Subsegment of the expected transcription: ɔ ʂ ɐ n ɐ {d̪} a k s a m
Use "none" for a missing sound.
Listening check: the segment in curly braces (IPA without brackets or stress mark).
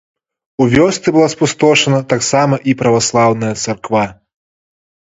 t̪